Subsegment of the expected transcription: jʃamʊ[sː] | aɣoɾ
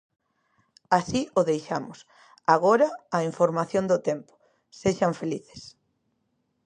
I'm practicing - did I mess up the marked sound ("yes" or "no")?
yes